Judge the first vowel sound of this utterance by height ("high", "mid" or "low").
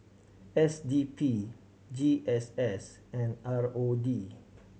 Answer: mid